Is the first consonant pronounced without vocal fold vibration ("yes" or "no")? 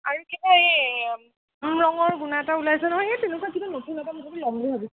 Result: no